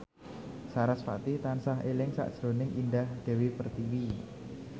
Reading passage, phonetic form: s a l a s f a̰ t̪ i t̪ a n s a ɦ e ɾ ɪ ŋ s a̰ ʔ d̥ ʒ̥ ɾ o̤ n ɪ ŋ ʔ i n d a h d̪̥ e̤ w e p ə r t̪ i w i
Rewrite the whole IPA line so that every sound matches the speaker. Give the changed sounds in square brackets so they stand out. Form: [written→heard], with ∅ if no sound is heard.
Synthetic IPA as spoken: s a [l→ɾ] a s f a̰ t̪ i t̪ a n s a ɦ e [ɾ→l] ɪ ŋ s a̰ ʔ d̥ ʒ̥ ɾ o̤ n ɪ ŋ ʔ i n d a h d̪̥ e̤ w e p ə r t̪ i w i